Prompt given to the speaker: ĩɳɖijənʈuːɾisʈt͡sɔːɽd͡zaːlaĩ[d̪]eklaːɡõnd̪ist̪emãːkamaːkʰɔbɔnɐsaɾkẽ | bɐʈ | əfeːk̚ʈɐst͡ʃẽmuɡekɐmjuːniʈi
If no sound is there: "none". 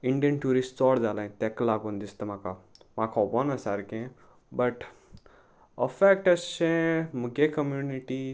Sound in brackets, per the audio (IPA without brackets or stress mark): t̪